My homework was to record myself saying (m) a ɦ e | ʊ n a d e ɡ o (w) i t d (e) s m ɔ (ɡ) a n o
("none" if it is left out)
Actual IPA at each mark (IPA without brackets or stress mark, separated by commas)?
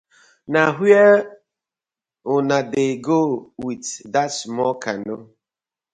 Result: n, w, a, k